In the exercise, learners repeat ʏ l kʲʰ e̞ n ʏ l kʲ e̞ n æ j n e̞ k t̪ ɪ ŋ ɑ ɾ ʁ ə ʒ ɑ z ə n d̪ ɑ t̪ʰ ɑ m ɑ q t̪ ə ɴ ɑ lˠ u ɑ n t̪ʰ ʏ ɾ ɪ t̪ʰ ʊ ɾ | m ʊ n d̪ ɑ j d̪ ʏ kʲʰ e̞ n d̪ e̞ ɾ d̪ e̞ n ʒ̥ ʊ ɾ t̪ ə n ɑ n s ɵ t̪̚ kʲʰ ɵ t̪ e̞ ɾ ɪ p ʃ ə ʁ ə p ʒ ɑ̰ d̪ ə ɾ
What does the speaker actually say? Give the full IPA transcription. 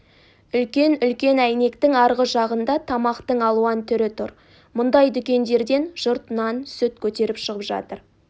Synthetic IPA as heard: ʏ l kʲ e̞ n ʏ l kʲ e̞ n æ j n e̞ k t̪ ɪ ŋ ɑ ɾ ʁ ə ʒ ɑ ʁ ə n d̪ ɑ t̪ʰ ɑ m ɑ q t̪ ə ɴ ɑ lˠ u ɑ n t̪ʰ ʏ ɾ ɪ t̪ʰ ʊ ɾ | m ʊ n d̪ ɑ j d̪ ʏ kʲ e̞ n d̪ e̞ ɾ d̪ e̞ n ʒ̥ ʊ ɾ t̪ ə n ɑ n s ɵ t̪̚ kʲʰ ɵ t̪ e̞ ɾ ɪ p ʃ ə ʁ ə p ʒ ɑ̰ t̪ ə ɾ